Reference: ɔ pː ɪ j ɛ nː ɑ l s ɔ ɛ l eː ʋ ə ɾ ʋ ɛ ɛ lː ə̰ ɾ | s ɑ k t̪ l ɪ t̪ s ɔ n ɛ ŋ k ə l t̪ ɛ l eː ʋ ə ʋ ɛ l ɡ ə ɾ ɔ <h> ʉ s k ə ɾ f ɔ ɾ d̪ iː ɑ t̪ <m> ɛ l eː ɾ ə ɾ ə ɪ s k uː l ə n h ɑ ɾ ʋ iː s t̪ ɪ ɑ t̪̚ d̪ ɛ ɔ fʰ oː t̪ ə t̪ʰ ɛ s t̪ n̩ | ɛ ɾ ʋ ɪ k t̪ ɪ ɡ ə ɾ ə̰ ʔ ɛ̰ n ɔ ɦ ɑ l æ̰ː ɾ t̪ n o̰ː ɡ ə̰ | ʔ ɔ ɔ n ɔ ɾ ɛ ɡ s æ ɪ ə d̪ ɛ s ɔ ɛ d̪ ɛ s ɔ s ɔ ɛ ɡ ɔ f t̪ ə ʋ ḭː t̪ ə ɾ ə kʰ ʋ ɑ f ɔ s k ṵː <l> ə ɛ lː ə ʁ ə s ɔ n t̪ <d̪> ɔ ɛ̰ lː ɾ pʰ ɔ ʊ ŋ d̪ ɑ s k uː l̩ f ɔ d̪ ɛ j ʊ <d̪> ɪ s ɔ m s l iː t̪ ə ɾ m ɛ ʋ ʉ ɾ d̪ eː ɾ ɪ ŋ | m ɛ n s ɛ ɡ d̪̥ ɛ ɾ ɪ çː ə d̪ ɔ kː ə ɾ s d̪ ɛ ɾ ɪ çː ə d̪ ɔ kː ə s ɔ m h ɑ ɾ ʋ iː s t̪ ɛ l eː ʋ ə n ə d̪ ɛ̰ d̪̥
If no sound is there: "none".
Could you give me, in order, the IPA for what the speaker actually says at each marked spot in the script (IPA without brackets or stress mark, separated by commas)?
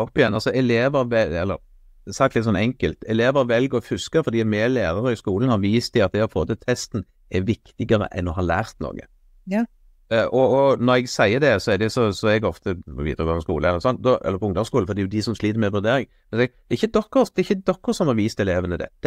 f, m, l, d̪, d̪